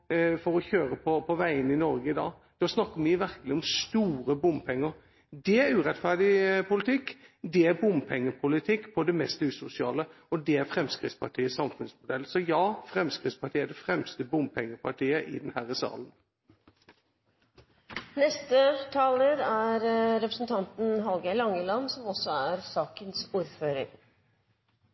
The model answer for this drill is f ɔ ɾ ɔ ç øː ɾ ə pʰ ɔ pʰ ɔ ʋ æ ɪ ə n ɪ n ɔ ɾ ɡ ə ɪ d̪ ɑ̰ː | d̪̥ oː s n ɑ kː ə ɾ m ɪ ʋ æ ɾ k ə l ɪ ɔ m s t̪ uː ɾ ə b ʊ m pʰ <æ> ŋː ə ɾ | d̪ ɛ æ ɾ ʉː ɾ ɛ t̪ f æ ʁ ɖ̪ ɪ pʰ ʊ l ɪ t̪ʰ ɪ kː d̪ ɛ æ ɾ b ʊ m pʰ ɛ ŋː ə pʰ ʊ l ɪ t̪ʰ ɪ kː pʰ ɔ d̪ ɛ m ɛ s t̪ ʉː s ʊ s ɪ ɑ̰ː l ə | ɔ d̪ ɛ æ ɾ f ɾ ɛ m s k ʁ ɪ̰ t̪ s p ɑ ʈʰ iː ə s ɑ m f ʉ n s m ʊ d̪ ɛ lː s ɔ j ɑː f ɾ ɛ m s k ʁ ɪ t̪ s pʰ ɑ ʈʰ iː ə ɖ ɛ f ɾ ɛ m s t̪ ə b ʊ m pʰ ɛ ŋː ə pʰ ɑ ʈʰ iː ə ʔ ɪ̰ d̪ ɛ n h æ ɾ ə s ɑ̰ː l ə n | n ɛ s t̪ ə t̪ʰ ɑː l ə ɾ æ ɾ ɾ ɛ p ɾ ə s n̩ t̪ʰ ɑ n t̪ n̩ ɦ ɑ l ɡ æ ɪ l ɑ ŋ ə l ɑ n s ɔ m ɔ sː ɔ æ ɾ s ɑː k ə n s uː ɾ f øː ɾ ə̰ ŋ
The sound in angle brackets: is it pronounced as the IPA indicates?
no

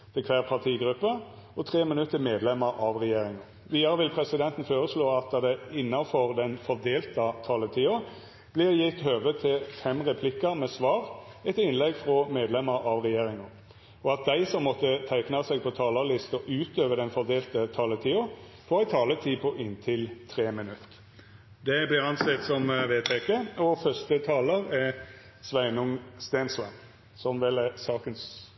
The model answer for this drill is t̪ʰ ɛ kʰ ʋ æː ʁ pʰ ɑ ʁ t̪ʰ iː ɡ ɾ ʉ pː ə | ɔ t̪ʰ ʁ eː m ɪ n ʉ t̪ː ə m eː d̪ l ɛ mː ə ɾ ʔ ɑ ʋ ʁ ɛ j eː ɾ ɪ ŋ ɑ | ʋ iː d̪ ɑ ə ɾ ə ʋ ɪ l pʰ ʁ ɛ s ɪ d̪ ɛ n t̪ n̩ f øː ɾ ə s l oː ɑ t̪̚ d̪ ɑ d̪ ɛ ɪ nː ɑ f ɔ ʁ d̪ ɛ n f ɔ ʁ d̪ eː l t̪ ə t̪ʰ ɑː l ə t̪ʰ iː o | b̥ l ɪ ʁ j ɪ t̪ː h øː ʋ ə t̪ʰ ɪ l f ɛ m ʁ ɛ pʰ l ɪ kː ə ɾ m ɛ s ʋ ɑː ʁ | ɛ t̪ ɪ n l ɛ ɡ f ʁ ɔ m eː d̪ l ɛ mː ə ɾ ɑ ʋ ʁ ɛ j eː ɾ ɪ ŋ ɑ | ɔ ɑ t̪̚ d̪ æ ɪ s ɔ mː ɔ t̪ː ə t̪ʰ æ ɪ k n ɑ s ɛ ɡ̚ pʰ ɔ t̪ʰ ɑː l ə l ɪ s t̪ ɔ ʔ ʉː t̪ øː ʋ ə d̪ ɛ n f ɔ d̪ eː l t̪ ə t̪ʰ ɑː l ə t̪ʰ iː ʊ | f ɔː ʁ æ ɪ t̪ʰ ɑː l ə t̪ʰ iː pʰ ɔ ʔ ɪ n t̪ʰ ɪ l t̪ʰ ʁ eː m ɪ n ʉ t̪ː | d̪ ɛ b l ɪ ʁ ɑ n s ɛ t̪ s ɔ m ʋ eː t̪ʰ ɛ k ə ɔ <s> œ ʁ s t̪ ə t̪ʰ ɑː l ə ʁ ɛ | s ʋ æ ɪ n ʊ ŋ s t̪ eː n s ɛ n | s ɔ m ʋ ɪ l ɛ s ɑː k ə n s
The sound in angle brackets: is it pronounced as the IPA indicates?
no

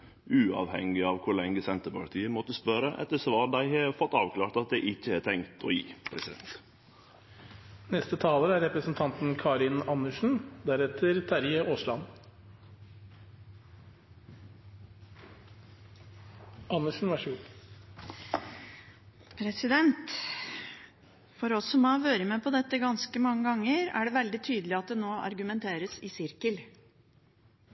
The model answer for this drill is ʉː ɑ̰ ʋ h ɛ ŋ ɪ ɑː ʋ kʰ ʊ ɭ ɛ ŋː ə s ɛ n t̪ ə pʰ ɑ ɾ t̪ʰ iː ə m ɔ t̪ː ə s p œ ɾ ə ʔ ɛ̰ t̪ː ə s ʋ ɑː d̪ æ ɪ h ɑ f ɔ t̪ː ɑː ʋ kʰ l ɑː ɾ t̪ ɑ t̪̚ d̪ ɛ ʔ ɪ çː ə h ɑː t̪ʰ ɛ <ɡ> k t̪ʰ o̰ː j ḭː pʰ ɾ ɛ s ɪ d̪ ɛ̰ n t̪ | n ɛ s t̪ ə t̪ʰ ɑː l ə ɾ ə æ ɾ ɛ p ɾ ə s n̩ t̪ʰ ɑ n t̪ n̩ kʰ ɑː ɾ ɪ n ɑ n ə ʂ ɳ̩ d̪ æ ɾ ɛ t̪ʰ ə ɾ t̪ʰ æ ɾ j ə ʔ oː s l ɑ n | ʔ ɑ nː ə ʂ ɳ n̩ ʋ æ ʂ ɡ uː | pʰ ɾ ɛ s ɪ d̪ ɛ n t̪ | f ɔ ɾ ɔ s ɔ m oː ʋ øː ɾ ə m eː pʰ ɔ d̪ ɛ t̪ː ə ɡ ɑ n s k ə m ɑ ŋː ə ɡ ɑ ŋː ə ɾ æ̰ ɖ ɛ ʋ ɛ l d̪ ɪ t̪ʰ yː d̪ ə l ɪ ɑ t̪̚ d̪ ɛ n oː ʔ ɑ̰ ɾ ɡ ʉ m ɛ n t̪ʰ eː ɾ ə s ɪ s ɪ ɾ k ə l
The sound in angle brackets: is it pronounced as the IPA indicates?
no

